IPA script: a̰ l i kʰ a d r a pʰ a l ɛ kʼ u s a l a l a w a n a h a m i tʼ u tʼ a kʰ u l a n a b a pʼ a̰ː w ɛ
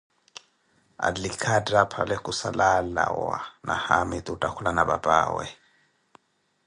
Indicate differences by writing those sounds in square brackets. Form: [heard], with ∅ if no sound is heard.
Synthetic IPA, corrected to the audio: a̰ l i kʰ a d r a pʰ a l ɛ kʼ u s a l a l a w a n a h a m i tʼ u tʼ a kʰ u l a n a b a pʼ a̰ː w ɛ